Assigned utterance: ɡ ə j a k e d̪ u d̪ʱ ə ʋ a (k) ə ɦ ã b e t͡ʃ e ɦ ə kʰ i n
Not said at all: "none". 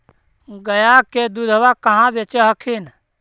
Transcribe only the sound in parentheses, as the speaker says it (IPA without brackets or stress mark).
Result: k